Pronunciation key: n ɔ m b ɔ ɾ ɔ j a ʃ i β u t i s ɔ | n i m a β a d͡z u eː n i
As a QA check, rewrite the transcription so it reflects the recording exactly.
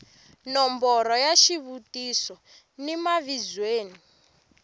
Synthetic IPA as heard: n ɔ m b ɔ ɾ ɔ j a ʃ i β u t i s ɔ | n i m a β i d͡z w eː n i